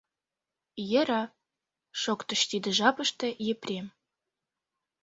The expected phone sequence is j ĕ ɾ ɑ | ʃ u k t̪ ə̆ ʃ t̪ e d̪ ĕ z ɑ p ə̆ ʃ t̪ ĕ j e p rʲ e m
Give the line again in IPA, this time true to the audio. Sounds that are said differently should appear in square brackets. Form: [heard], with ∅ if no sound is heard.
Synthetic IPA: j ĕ ɾ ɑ | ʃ [o] k t̪ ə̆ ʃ t̪ [i] d̪ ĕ [ʒ] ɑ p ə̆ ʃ t̪ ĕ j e p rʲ e m